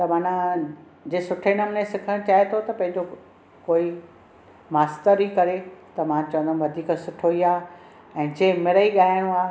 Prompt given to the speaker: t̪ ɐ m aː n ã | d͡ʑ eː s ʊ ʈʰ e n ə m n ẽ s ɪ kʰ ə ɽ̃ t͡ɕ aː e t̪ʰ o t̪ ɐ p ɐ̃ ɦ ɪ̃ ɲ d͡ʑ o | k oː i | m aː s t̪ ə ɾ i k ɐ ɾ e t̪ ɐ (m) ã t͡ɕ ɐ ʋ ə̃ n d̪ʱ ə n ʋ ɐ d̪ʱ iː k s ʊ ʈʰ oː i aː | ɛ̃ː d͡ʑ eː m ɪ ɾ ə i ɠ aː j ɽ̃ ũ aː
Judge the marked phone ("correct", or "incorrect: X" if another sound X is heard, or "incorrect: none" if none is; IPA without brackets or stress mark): correct